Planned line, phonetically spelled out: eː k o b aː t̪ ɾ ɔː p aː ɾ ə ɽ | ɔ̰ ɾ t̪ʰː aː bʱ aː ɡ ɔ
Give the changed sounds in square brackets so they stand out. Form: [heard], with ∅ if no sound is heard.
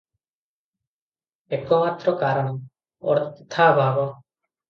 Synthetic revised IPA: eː k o [m] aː t̪ ɾ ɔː [k] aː ɾ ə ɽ | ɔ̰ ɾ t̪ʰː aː bʱ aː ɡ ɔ